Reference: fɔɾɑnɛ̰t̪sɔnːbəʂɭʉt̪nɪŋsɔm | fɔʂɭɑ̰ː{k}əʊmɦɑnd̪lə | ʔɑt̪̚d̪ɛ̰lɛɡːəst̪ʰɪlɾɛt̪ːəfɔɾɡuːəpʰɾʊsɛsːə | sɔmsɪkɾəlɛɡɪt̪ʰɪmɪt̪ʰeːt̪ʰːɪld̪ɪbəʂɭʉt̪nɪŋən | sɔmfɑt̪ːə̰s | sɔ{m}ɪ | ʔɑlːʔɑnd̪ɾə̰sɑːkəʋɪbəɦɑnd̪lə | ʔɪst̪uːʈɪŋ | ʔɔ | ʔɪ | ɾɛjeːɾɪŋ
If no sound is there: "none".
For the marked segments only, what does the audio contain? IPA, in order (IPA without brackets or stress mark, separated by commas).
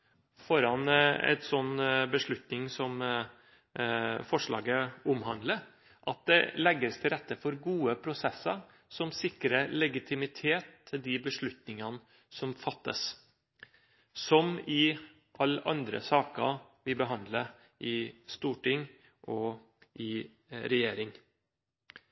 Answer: ɡ, m